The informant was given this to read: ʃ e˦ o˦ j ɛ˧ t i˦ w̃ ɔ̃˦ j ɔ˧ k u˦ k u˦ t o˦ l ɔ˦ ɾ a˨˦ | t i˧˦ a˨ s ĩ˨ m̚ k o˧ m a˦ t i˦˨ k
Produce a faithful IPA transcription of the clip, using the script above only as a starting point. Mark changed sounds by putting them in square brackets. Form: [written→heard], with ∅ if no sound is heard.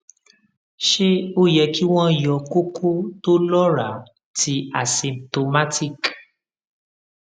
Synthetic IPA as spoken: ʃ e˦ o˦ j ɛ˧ [t→k] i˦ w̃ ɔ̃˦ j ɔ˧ k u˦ k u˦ t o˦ l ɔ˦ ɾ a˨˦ | t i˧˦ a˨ s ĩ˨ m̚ [k→t] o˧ m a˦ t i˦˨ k